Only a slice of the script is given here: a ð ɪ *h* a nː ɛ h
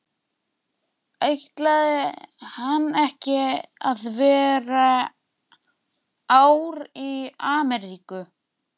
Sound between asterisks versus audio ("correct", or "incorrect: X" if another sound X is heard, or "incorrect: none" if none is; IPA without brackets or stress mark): correct